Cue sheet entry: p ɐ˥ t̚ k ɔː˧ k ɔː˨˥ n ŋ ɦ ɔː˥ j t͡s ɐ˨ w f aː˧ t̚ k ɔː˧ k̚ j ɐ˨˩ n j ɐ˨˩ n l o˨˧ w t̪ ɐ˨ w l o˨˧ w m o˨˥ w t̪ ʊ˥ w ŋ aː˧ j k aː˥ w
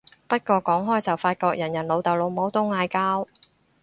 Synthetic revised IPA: p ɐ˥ t̚ k ɔː˧ k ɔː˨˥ ŋ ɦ ɔː˥ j t͡s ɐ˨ w f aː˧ t̚ k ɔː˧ k̚ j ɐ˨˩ n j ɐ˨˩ n l o˨˧ w t̪ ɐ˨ w l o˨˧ w m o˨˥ w t̪ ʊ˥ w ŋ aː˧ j k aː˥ w